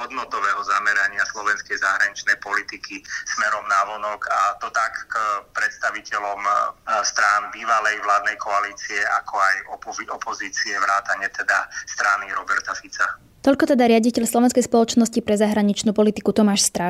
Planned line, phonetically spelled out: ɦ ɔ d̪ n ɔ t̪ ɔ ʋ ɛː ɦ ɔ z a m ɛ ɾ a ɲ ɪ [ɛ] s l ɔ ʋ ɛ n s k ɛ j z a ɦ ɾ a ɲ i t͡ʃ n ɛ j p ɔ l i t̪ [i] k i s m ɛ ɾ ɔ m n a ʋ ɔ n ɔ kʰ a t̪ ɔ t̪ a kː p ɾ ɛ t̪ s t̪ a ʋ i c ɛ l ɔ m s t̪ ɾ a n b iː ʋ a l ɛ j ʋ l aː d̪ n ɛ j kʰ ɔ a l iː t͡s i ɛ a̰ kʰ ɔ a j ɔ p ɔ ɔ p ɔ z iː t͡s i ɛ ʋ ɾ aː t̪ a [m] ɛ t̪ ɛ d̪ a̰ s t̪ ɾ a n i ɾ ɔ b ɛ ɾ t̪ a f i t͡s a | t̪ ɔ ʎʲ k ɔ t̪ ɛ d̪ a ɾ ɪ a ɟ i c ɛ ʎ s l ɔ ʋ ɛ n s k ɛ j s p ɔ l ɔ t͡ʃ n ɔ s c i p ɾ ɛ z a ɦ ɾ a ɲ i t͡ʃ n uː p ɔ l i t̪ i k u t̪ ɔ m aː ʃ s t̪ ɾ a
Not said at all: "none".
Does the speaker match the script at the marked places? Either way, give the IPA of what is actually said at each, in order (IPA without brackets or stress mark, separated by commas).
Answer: a, i, ɲ